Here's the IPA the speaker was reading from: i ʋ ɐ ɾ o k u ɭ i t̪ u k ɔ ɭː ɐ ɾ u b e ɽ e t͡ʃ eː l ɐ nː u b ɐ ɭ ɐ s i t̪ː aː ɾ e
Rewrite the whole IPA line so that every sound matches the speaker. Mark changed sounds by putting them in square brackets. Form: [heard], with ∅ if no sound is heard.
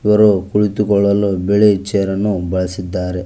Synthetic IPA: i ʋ ɐ ɾ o k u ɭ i t̪ u k ɔ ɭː ɐ [l] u b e [ɭ] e t͡ʃ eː [ɾ] ɐ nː u b ɐ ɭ ɐ s i [d̪ː] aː ɾ e